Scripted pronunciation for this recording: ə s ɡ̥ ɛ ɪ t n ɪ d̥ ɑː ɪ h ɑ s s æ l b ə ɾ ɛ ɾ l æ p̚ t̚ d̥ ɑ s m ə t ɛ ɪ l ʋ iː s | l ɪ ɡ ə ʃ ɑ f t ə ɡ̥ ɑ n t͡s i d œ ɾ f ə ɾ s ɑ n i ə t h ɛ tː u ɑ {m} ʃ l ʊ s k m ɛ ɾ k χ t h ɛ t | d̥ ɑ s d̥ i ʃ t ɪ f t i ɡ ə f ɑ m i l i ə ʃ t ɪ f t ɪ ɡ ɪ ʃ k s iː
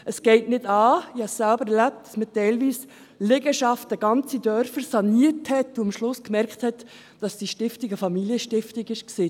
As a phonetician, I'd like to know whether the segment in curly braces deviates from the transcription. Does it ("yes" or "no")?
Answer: no